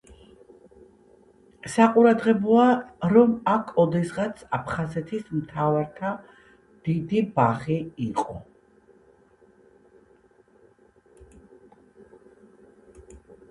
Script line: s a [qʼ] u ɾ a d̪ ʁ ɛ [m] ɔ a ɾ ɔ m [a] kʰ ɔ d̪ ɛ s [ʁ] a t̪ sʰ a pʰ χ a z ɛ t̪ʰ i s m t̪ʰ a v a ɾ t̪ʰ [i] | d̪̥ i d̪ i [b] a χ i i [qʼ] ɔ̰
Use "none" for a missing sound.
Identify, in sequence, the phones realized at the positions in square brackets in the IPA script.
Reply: qʼ, b, a, ʁ, a, b, qʼ

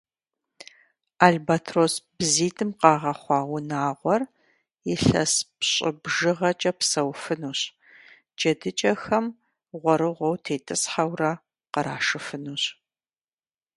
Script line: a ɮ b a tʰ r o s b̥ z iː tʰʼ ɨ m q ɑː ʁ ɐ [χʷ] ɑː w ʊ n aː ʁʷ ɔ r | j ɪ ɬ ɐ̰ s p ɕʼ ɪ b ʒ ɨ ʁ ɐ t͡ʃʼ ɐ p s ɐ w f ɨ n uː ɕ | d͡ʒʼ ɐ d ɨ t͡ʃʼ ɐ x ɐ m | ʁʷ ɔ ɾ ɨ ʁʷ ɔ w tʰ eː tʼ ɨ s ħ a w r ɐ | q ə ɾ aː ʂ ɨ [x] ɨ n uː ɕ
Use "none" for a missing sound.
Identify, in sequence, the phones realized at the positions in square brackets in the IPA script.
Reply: χʷ, f

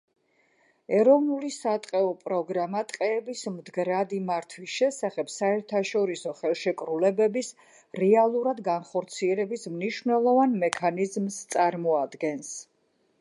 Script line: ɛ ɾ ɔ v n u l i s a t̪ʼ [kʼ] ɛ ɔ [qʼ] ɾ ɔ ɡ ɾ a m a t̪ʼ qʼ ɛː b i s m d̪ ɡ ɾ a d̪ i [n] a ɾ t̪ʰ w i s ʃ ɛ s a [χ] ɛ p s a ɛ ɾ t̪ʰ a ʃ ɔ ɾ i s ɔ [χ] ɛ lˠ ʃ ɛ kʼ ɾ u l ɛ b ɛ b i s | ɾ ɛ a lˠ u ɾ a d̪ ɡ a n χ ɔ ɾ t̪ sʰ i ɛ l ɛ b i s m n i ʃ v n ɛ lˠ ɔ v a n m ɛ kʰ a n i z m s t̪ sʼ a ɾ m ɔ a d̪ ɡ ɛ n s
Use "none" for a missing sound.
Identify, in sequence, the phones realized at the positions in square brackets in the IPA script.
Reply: qʼ, pʼ, m, χ, χ

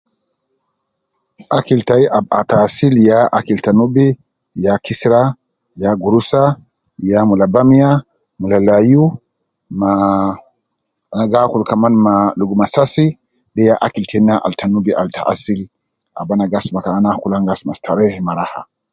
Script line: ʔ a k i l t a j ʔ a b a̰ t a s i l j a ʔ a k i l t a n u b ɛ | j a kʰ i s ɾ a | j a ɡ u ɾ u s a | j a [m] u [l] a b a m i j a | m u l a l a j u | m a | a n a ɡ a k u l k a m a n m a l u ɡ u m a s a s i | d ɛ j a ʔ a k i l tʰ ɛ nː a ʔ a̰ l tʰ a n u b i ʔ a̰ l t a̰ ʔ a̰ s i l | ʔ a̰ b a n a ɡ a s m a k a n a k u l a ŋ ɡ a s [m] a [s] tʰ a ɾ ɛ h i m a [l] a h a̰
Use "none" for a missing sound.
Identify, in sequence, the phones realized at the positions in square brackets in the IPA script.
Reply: m, l, m, s, ɾ

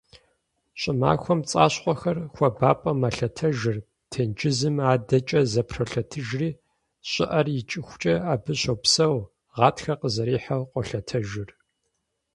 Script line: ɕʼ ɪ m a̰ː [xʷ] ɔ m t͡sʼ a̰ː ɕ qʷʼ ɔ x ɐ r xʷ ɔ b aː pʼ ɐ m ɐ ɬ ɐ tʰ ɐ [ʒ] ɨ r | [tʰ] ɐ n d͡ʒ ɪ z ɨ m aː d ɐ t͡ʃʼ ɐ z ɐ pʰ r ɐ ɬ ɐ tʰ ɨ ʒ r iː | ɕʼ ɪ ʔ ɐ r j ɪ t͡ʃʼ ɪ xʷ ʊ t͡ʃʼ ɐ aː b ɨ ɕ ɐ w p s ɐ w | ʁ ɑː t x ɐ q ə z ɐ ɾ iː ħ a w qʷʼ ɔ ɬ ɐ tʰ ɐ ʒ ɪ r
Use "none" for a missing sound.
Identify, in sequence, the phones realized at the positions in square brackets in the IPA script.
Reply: xʷ, ʒ, tʰ

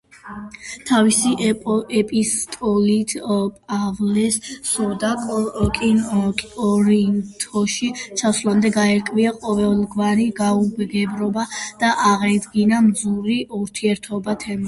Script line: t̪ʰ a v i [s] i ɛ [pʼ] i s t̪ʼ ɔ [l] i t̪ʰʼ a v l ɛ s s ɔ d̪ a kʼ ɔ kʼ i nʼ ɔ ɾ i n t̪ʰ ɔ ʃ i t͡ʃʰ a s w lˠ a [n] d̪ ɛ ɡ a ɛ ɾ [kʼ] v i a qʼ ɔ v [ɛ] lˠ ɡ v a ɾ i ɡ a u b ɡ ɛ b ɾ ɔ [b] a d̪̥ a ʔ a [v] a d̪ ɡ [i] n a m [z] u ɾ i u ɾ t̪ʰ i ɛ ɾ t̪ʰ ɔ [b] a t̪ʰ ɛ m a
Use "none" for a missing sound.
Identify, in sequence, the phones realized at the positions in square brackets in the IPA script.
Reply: s, pʼ, l, m, kʼ, ɛ, b, ʁ, i, z, b

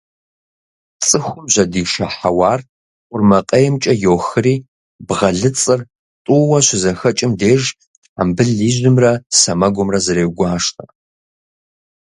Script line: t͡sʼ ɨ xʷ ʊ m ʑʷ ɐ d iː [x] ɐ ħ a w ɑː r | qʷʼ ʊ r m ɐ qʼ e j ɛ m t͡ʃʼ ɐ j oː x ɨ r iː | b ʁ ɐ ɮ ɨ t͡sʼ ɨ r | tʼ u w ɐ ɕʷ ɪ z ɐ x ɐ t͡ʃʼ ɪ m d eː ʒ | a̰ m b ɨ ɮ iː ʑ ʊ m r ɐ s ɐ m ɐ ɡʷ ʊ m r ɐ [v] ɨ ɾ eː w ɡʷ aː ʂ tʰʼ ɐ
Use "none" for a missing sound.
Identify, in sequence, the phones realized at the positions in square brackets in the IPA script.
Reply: ʃ, z

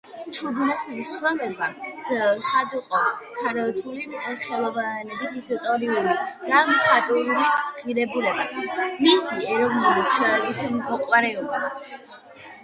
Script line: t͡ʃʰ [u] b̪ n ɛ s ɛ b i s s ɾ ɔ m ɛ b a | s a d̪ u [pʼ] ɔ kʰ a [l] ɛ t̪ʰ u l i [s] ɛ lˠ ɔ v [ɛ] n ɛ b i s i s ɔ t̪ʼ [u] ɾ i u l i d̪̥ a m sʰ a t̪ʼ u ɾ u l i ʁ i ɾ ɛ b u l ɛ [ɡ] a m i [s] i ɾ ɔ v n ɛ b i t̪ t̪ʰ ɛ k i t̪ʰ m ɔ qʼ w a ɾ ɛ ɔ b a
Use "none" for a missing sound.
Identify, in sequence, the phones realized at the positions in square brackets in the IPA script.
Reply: u, qʼ, ɾ, χ, a, ɔ, b, s

